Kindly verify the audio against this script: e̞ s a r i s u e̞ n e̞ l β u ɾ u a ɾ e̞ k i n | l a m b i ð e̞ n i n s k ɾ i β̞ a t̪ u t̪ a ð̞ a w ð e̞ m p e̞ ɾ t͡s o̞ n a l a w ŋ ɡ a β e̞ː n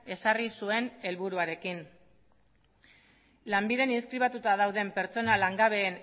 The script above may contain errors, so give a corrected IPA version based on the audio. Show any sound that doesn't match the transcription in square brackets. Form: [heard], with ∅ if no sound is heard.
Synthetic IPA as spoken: e̞ s a r i s u e̞ n e̞ l β u ɾ u a ɾ e̞ k i n | l a m b i ð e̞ n i n s k ɾ i β̞ a t̪ u t̪ a ð̞ a w ð e̞ m p e̞ ɾ t͡s o̞ n a l a [∅] ŋ ɡ a β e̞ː n